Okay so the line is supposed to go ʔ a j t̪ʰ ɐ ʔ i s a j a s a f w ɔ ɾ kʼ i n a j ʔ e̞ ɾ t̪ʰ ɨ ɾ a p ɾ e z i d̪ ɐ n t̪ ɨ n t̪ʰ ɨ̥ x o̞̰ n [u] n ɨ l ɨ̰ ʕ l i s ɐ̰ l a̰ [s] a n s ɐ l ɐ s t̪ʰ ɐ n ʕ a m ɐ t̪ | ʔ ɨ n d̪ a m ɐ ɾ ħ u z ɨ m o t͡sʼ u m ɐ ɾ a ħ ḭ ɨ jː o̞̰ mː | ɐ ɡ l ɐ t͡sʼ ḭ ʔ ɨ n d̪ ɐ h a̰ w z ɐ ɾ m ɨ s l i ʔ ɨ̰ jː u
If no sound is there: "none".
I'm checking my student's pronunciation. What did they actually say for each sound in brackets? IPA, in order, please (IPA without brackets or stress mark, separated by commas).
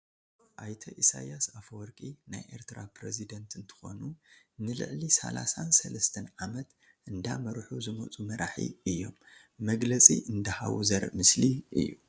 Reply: u, s